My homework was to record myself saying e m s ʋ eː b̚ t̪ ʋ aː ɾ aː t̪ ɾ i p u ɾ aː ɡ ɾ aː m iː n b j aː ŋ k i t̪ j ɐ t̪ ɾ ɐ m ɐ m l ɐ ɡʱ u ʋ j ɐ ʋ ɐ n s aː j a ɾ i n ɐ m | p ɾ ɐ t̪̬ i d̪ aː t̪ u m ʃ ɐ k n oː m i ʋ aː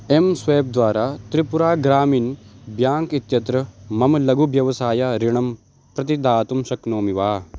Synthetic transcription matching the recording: e m s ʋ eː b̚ d̪ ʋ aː ɾ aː t̪ ɾ i p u ɾ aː ɡ ɾ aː m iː n b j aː ŋ k i t̪ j ɐ t̪ ɾ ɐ m ɐ m l ɐ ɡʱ u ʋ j ɐ ʋ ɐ s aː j a ɾ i ɳ ɐ m | p ɾ ɐ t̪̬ i d̪ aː t̪ u m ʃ ɐ k n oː m i ʋ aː

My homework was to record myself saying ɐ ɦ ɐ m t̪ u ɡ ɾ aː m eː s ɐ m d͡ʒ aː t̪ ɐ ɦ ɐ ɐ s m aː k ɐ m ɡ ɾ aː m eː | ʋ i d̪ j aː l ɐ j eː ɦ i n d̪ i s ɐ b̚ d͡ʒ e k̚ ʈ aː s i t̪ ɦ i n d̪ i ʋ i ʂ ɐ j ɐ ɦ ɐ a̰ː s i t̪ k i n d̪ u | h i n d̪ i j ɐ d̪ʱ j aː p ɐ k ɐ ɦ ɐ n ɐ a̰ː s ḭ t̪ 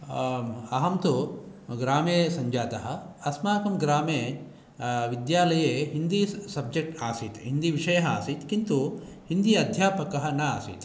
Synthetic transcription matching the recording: ɐ ɦ ɐ m t̪ u ɡ ɾ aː m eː s ɐ ɲ d͡ʒ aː t̪ ɐ ɦ ɐ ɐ s m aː k ɐ m ɡ ɾ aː m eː | ʋ i d̪ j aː l ɐ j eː ɦ i n d̪ i s ɐ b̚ d͡ʒ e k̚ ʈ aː s i t̪ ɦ i n d̪ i ʋ i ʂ ɐ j ɐ ɦ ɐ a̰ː s i t̪ k i n t̪ u | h i n d̪ i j ɐ d̪ʱ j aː p ɐ k ɐ ɦ ɐ n ɐ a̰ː s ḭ t̪

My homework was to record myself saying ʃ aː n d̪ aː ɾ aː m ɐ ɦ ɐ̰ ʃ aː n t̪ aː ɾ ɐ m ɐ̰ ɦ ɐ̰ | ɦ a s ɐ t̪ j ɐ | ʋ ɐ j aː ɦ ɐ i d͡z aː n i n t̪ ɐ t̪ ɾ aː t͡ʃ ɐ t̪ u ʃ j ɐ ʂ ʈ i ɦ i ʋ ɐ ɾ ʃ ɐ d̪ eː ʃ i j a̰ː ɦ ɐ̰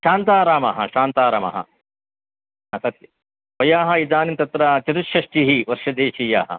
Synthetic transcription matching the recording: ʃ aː n t̪ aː ɾ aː m ɐ ɦ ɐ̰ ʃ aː n t̪ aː ɾ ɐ m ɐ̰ ɦ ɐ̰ | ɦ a s ɐ t̪ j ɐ | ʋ ɐ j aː ɦ ɐ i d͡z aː n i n t̪ ɐ t̪ ɾ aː t͡ʃ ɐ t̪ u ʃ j ɐ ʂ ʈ i ɦ i ʋ ɐ ɾ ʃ ɐ d̪ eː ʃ i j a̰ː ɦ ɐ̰

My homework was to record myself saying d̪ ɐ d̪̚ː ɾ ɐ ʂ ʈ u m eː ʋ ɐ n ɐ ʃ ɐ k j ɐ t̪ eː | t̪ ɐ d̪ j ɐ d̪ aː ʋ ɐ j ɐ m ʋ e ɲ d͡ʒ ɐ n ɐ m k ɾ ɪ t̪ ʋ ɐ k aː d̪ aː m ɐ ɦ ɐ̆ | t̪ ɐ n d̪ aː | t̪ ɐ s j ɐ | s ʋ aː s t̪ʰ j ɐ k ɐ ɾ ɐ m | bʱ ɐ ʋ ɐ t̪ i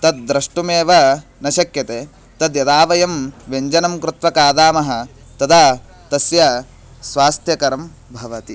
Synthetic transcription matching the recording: t̪ ɐ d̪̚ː ɾ ɐ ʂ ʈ u m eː ʋ ɐ n ɐ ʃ ɐ k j ɐ t̪ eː | t̪ ɐ d̪ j ɐ d̪ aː ʋ ɐ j ɐ m ʋ e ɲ d͡ʒ ɐ n ɐ m k ɾ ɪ t̪ ʋ ɐ k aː d̪ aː m ɐ ɦ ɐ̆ | t̪ ɐ d̪ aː | t̪ ɐ s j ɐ | s ʋ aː s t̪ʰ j ɐ k ɐ ɾ ɐ m | bʱ ɐ ʋ ɐ t̪ i

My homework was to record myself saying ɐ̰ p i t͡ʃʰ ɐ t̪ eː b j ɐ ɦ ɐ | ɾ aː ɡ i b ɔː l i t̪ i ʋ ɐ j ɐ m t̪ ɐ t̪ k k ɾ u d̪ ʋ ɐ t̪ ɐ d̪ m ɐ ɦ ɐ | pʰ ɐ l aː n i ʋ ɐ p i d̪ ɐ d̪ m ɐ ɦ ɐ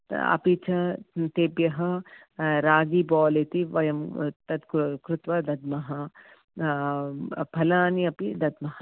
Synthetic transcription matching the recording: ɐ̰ p i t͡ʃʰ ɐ t̪ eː b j ɐ ɦ ɐ | ɾ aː ɡ i b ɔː l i t̪ i ʋ ɐ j ɐ m t̪ ɐ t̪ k k ɾ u t̪ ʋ ɐ d̪ ɐ d̪ m ɐ ɦ ɐ | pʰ ɐ l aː n i ɐ p i d̪ ɐ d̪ m ɐ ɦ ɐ

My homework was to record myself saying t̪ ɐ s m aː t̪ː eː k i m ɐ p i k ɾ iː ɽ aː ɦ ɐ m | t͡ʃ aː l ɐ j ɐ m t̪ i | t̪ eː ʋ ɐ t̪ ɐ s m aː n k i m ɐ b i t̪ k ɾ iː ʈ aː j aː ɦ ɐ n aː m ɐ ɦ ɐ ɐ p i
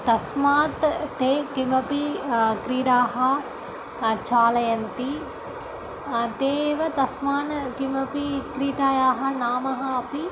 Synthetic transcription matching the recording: t̪ ɐ s m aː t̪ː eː k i m ɐ p i k ɾ iː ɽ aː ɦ ɐ | t͡ʃ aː l ɐ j ɐ n t̪ i | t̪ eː ʋ ɐ t̪ ɐ s m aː n k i m ɐ p i k ɾ iː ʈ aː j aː ɦ ɐ n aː m ɐ ɦ ɐ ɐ p i

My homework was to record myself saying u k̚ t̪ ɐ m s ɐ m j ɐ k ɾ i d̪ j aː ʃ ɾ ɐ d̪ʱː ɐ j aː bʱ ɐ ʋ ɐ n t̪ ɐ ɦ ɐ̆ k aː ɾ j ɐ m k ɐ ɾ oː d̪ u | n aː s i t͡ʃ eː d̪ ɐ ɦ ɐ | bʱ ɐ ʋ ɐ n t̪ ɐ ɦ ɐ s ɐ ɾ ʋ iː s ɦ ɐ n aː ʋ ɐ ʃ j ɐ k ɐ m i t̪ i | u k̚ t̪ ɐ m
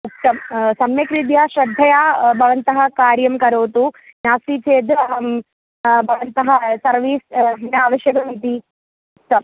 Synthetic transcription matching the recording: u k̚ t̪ ɐ m s ɐ m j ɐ k ɾ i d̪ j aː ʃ ɾ ɐ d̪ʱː ɐ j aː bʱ ɐ ʋ ɐ n t̪ ɐ ɦ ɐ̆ k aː ɾ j ɐ m k ɐ ɾ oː t̪ u | n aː s i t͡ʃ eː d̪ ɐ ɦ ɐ | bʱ ɐ ʋ ɐ n t̪ ɐ ɦ ɐ s ɐ ɾ ʋ iː s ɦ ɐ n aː ʋ ɐ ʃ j ɐ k ɐ m i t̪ i | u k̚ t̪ ɐ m

